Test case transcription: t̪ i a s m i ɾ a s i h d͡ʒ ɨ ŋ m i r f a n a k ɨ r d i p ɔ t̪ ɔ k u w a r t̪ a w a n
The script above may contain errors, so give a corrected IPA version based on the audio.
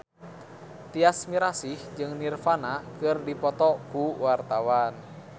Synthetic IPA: t̪ i a s m i ɾ a s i h d͡ʒ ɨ ŋ n i r f a n a k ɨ r d i p ɔ t̪ ɔ k u w a r t̪ a w a n